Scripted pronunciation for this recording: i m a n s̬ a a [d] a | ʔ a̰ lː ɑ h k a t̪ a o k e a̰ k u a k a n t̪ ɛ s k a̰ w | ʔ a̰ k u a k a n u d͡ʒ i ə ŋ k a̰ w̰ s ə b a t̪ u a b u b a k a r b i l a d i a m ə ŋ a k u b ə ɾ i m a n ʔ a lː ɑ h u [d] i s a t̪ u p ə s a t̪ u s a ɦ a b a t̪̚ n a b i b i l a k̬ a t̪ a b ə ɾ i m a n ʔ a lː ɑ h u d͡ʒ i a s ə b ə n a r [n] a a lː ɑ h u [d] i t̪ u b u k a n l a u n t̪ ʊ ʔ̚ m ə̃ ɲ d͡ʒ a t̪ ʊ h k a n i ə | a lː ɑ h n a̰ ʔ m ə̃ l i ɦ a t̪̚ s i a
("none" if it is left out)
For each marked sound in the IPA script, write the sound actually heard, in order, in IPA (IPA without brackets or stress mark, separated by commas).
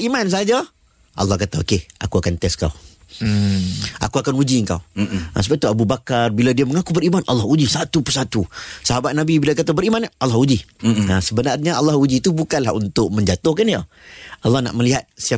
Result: d͡ʒ, d͡ʒ, ɲ, d͡ʒ